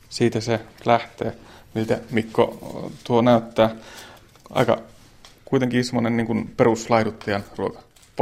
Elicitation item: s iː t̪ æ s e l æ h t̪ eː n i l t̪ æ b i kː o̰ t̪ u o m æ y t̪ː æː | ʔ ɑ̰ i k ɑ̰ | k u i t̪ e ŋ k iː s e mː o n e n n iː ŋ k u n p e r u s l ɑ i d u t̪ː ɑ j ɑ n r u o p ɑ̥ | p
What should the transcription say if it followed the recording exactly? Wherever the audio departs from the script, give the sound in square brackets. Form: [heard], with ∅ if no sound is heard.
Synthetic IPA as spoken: s iː t̪ æ s e l æ h t̪ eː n i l t̪ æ [m] i kː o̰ t̪ u o [n] æ y t̪ː æː | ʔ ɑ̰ i k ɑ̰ | k u i t̪ e ŋ k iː s e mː o n e n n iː ŋ k u n p e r u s l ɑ i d u t̪ː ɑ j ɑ n r u o [k] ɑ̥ | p